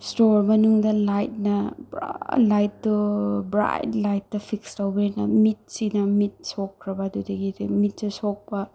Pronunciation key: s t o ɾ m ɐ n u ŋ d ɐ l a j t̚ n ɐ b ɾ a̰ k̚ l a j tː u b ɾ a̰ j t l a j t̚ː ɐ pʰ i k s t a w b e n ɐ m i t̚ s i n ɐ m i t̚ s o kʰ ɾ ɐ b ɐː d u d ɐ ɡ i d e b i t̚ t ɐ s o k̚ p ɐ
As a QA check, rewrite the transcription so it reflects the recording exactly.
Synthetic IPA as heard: s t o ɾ m ɐ n u ŋ d ɐ l a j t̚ n ɐ b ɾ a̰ l a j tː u b ɾ a̰ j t l a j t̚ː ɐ pʰ i k s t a w b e n ɐ m i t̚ s i n ɐ m i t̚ s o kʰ ɾ ɐ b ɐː d u d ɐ ɡ i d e m i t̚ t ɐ s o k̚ p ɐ